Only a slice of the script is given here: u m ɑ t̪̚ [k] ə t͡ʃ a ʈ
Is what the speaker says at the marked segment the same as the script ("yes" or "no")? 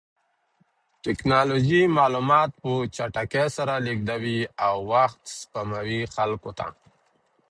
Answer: no